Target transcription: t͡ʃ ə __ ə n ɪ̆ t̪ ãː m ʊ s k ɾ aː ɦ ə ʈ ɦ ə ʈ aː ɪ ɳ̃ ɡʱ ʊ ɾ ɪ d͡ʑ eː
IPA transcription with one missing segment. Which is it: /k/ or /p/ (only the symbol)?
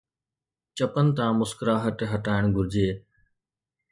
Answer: p